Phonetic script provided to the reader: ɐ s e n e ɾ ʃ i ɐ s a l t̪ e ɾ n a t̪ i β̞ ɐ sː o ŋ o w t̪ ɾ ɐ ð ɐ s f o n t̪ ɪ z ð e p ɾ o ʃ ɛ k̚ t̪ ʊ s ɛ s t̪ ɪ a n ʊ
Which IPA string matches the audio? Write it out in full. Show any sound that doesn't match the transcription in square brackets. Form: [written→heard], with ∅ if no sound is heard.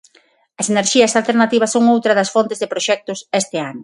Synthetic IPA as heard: ɐ s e n e ɾ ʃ i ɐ s a l t̪ e ɾ n a t̪ i β̞ ɐ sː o ŋ o w t̪ ɾ ɐ ð ɐ s f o n t̪ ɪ z ð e p ɾ o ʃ ɛ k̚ t̪ ʊ s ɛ s t̪ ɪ a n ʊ